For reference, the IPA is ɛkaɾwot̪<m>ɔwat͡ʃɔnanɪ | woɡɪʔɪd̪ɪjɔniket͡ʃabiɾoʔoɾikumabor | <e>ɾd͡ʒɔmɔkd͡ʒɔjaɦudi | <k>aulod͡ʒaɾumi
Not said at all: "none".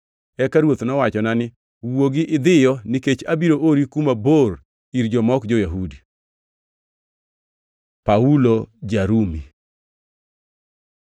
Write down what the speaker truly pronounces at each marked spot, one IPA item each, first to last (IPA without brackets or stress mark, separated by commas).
n, i, p